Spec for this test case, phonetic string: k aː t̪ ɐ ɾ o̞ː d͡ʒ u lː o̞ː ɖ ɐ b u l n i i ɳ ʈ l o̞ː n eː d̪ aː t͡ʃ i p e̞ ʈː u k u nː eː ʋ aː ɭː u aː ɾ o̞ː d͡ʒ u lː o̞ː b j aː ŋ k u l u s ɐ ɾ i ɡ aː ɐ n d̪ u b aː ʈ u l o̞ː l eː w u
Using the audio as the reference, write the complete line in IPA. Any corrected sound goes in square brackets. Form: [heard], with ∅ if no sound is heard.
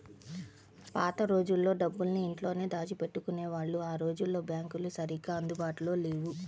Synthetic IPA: [p] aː t̪ ɐ ɾ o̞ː d͡ʒ u lː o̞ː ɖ ɐ [bː] u l n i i ɳ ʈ l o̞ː n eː d̪ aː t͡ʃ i p e̞ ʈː u k u [n] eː ʋ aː ɭː u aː ɾ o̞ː d͡ʒ u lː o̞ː b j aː ŋ k u l u s ɐ ɾ i ɡ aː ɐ n d̪ u b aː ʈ u l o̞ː l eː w u